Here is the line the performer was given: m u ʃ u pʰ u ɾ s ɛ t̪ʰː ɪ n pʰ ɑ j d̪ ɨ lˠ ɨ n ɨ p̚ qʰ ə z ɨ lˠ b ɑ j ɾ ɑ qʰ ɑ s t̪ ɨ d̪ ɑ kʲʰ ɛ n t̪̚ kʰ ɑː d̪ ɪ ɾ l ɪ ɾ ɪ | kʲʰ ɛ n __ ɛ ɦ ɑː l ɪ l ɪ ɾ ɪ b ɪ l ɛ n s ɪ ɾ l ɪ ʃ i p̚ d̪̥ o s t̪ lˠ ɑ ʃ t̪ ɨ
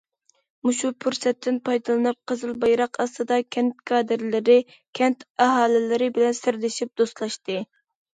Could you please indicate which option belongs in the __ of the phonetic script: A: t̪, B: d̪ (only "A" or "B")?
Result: A